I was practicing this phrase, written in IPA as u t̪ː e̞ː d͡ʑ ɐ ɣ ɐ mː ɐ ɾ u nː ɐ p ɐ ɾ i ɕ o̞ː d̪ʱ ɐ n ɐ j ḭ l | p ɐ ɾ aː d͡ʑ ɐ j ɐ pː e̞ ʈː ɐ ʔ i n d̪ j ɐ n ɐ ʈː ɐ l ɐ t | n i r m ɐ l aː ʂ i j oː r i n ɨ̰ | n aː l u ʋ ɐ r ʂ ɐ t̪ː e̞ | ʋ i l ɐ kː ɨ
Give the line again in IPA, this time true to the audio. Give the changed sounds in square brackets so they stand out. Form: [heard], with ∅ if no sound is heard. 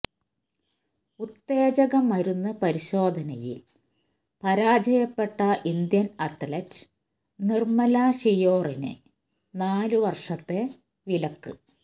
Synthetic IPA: u t̪ː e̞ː d͡ʑ ɐ ɣ ɐ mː ɐ ɾ u nː ɐ p ɐ ɾ i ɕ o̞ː d̪ʱ ɐ n ɐ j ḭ l | p ɐ ɾ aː d͡ʑ ɐ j ɐ pː e̞ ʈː ɐ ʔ i n d̪ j ɐ n ɐ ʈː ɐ l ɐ t | n i r m ɐ l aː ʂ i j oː r i n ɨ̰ | n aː l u ʋ ɐ r ʂ ɐ t̪ː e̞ | ʋ i l ɐ kː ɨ